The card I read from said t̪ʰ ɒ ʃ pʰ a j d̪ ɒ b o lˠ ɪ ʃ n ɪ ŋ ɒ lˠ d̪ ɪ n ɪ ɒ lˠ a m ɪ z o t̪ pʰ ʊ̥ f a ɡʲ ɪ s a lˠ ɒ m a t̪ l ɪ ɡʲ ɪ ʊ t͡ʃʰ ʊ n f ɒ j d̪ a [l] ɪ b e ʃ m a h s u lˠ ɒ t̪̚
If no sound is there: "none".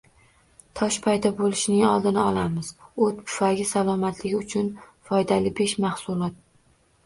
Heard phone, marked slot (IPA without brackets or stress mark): l